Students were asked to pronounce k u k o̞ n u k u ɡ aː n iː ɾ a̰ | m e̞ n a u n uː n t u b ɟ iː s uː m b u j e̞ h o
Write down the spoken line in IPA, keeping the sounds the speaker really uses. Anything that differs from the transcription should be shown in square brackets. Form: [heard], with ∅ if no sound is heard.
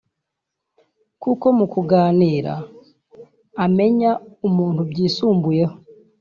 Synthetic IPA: k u k o̞ [m] u k u ɡ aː n iː ɾ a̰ | m e̞ [ɲ] a u [m] uː n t u b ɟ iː s uː m b u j e̞ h o